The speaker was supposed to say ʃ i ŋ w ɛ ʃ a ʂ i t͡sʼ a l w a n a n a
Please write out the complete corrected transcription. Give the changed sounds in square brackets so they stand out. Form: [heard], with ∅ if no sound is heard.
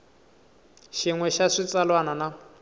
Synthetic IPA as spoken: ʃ i ŋ w ɛ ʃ a ʂ i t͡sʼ a l w a n a n a